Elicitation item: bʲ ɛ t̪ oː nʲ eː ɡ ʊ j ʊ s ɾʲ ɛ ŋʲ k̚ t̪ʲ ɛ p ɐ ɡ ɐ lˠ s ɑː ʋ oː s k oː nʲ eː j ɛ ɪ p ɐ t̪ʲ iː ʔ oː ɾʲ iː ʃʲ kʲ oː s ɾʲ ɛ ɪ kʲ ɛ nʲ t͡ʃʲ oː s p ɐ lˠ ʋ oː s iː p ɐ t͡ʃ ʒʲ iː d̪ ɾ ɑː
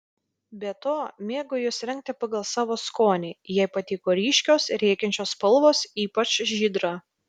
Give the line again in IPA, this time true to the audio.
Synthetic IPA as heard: bʲ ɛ t̪ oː mʲ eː ɡ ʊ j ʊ s ɾʲ ɛ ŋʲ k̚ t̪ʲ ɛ p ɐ ɡ ɐ lˠ s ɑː ʋ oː s k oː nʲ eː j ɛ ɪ p ɐ t̪ʲ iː k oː ɾʲ iː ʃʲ kʲ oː s ɾʲ ɛ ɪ kʲ ɛ nʲ t͡ʃʲ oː s p ɐ lˠ ʋ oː s iː p ɐ t͡ʃ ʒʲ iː d̪ ɾ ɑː